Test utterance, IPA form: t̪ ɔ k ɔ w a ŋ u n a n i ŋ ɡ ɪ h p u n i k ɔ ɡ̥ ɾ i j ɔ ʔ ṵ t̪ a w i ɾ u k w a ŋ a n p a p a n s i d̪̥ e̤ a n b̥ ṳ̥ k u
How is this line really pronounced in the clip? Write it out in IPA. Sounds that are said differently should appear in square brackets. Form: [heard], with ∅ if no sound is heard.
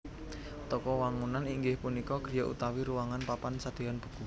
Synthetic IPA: t̪ ɔ k ɔ w a ŋ u n a n i ŋ ɡ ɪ h p u n i k ɔ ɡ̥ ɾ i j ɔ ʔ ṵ t̪ a w i ɾ u [∅] w a ŋ a n p a p a n s [a] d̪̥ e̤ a n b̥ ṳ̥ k u